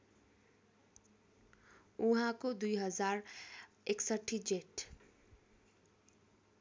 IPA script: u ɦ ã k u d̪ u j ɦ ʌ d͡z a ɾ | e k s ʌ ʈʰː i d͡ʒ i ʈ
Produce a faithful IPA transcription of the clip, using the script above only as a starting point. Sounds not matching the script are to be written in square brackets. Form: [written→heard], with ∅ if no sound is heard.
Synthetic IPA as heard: u ɦ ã k [u→o] d̪ u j ɦ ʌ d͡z a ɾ | e k s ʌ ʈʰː i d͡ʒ [i→e] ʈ